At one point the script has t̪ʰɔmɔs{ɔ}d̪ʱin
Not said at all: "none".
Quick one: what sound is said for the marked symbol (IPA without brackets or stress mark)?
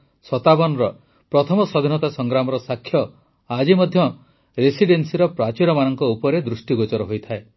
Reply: ɔ